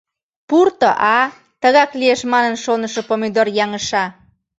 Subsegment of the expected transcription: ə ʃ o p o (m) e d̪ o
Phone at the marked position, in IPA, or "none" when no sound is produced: m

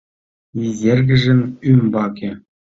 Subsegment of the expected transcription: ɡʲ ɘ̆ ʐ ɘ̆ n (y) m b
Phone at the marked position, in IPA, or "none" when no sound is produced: y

